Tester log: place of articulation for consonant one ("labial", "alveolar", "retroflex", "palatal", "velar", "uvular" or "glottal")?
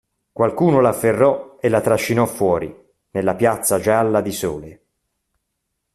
velar